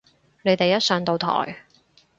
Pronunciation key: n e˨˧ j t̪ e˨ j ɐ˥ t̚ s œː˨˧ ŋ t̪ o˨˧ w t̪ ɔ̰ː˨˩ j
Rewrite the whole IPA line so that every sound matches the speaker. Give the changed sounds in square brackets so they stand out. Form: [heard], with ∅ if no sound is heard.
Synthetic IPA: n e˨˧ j t̪ e˨ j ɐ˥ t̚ s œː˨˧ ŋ t̪ o˨˧ w [t̪ʰ] ɔ̰ː˨˩ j